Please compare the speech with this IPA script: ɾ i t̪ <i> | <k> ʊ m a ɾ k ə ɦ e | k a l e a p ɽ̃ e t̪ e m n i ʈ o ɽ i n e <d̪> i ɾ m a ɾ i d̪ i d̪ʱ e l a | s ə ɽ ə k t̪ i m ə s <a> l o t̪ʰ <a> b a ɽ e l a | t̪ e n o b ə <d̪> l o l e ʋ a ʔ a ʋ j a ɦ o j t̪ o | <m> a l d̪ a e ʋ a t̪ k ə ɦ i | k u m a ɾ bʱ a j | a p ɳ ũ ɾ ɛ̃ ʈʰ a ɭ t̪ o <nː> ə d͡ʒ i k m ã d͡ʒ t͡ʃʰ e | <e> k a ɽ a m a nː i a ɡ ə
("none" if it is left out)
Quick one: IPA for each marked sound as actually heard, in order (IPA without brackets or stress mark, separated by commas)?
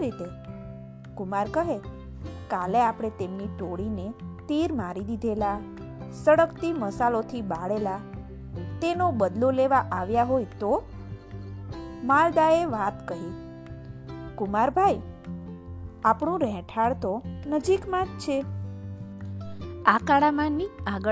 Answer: e, k, t̪, a, i, d̪, m, n, a